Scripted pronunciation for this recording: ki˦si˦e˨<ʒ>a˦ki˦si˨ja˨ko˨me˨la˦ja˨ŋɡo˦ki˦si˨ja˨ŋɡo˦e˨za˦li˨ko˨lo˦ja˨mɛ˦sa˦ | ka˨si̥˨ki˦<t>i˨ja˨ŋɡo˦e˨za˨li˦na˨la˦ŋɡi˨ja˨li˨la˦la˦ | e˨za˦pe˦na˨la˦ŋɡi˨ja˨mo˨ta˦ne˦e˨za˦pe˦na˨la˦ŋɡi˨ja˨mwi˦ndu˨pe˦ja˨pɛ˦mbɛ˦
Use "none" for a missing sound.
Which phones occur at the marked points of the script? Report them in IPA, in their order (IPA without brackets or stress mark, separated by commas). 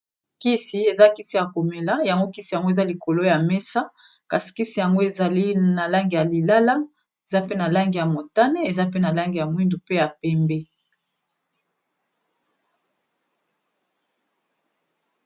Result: z, s